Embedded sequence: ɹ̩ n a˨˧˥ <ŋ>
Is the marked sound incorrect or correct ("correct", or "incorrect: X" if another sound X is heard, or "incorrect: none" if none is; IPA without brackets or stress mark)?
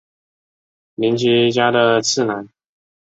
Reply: incorrect: n